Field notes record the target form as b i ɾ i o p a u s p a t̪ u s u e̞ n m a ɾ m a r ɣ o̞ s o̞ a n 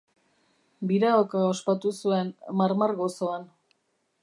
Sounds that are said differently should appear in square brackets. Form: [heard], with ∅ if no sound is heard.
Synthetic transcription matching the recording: b i ɾ [a] o [k] a [o] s p a t̪ u s u e̞ n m a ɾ m a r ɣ o̞ s o̞ a n